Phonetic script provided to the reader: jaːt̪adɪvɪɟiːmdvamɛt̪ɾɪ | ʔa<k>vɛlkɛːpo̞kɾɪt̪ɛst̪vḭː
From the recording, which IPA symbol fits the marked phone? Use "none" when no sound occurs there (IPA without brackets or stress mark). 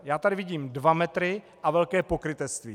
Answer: none